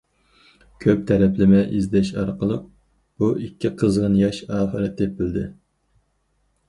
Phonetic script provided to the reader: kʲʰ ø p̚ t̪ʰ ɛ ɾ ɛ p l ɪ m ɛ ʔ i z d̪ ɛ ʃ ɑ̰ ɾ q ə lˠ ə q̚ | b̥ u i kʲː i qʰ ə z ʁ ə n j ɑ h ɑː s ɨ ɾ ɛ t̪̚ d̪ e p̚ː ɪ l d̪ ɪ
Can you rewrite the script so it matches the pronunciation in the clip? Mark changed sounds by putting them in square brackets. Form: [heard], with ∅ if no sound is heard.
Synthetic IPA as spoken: kʲʰ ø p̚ t̪ʰ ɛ ɾ ɛ p l ɪ m ɛ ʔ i z d̪ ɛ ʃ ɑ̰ ɾ q ə lˠ ə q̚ | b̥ u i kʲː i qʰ ə z ʁ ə n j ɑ [ʃ] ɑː [χ] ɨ ɾ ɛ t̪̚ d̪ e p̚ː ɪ l d̪ ɪ

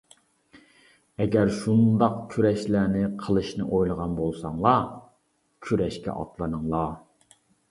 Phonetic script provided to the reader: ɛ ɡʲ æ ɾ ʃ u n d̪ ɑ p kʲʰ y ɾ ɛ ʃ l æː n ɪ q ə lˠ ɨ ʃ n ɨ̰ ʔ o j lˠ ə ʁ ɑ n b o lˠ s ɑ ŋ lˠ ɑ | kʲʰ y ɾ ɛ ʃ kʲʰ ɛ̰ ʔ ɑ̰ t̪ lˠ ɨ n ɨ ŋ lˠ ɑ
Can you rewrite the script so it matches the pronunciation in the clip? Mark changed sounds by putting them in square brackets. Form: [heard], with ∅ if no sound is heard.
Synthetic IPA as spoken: ɛ ɡʲ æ ɾ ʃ u n d̪ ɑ [q] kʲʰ y ɾ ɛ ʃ l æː n ɪ [qʰ] ə lˠ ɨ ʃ n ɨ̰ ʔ o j lˠ ə ʁ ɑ n b o lˠ s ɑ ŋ lˠ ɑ | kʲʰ y ɾ ɛ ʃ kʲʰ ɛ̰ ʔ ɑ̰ t̪ lˠ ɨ n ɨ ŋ lˠ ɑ

